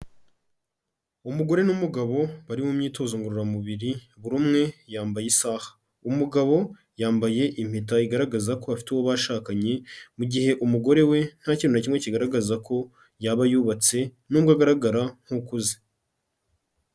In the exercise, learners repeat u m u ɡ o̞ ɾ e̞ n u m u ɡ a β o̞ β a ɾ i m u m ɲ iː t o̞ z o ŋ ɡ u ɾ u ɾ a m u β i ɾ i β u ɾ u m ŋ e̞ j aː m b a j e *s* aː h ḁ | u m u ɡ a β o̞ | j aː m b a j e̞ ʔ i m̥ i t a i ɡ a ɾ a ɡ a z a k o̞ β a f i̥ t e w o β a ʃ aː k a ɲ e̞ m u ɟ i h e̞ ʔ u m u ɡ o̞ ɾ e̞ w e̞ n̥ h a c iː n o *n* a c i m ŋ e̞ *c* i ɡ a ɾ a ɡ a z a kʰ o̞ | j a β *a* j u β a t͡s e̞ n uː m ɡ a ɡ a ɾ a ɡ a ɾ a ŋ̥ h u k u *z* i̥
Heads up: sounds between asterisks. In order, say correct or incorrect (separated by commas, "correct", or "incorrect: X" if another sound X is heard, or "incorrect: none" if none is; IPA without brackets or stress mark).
correct, correct, correct, correct, correct